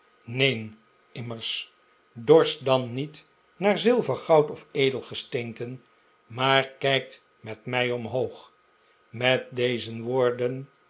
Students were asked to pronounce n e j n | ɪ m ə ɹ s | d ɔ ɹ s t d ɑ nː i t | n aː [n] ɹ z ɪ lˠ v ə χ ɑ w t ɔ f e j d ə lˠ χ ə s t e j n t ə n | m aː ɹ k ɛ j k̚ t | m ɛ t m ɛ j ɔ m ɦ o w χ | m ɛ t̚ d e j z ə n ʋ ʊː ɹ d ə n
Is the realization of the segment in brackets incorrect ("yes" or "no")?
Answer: yes